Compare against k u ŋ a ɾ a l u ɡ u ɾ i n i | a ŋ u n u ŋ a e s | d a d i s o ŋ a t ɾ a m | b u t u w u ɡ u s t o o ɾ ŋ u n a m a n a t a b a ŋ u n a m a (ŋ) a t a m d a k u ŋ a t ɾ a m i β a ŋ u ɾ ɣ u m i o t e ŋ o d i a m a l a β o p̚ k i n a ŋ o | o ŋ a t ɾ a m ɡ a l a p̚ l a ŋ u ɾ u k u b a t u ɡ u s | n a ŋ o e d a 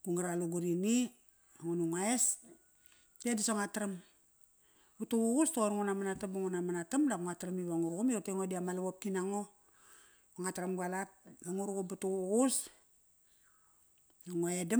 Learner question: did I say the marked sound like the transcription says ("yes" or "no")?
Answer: no